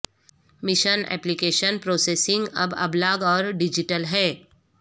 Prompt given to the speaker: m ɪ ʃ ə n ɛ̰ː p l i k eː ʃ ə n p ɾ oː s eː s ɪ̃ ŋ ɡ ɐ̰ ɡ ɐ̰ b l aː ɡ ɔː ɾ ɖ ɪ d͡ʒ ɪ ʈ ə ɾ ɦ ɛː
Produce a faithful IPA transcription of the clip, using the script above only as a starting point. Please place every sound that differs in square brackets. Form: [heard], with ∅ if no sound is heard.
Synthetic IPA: m ɪ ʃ ə n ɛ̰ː p l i k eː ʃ ə n p ɾ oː s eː s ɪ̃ ŋ ɡ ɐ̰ [b] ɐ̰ b l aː ɡ ɔː ɾ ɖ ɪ d͡ʒ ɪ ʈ ə [l] ɦ ɛː